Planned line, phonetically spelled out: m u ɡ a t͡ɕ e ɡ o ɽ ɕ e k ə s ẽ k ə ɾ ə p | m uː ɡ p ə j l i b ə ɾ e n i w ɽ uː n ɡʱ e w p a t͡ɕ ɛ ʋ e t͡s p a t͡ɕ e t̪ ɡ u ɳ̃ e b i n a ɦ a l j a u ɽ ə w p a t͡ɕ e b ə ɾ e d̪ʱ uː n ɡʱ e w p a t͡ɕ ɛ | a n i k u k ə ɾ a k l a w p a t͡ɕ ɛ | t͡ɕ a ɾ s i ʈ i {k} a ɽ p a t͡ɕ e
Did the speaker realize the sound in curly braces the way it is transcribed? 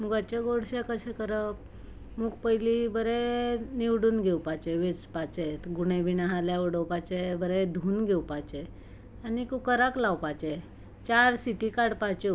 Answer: yes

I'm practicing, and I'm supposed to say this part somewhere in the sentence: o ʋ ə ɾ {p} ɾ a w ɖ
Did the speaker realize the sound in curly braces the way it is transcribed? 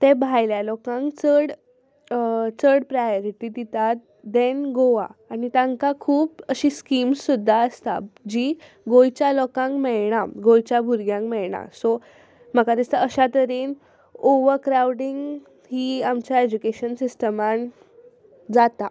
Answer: no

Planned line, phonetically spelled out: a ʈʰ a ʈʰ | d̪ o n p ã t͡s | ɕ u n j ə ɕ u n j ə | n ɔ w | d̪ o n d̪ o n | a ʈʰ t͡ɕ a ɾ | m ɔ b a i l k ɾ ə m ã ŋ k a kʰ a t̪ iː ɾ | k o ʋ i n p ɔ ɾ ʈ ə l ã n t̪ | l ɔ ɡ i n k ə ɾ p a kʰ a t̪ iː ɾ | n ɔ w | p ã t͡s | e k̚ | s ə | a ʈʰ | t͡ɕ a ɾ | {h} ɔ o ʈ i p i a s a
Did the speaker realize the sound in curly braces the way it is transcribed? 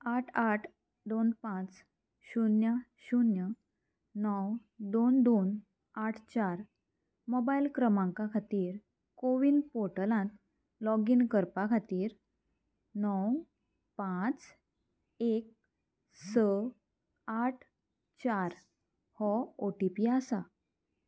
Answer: yes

